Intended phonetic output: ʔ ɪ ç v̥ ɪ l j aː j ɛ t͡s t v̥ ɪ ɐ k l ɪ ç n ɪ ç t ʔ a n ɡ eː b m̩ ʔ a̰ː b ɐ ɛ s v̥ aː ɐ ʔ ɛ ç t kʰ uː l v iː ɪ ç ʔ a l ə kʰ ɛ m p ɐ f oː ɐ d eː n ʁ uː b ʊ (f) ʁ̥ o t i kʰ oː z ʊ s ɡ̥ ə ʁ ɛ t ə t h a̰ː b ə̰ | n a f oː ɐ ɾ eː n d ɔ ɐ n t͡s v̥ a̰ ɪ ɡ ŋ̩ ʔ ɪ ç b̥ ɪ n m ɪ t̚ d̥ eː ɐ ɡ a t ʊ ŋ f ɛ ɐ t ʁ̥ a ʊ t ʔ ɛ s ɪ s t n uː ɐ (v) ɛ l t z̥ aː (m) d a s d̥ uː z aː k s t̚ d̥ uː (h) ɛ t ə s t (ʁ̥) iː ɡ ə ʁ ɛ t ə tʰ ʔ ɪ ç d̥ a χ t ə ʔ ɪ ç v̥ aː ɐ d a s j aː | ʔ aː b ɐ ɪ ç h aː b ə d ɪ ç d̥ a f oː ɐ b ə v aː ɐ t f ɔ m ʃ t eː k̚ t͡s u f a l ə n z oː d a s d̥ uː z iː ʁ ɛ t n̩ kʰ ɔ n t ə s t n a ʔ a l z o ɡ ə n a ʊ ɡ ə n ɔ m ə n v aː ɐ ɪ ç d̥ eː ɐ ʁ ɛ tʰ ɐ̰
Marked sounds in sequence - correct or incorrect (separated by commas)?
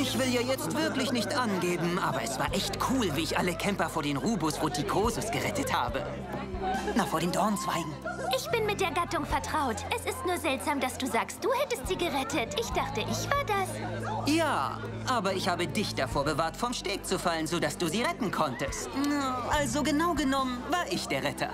incorrect, incorrect, correct, correct, incorrect